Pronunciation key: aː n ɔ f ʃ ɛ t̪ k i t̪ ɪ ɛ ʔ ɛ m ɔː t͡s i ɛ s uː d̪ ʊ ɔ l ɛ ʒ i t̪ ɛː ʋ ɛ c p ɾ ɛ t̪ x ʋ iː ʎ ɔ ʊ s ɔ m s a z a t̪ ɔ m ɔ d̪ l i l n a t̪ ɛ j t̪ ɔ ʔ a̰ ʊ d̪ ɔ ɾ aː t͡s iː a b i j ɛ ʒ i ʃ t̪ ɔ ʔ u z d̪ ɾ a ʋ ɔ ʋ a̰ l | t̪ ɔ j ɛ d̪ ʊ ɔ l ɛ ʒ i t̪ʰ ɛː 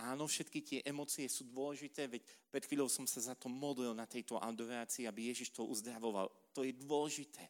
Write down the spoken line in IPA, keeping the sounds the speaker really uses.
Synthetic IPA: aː n ɔ f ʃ ɛ t̪ k i t̪ ɪ ɛ ʔ ɛ m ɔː t͡s i ɛ s uː d̪ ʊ ɔ l ɛ ʒ i t̪ ɛː ʋ ɛ c p ɾ ɛ t̪ x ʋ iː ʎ ɔ ʊ s ɔ m s a z a t̪ ɔ m ɔ d̪ l i l n a t̪ ɛ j t̪ ɔ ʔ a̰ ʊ d̪ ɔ ɾ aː t͡s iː a b i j ɛ ʒ i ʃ t̪ ɔ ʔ u z d̪ ɾ a ʋ ɔ ʋ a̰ l | t̪ ɔ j ɛ d̪ ʊ ɔ l ɛ ʒ i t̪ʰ ɛː